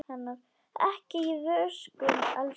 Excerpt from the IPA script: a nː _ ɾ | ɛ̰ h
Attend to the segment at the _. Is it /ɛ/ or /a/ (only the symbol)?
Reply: a